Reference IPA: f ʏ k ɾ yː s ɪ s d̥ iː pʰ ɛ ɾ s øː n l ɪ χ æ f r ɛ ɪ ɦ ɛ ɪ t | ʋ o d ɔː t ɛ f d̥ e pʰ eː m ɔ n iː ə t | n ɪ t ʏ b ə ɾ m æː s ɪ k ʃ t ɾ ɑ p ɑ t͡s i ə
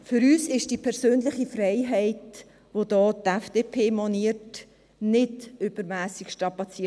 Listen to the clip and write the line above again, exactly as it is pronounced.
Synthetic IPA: f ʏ ɾ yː s ɪ ʃ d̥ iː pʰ ɛ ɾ s øː n l ɪ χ i f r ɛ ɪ ɦ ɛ ɪ t | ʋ o d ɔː t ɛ f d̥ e pʰ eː m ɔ n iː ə t | n ɪ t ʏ b ə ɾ m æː s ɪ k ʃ t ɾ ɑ p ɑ t͡s i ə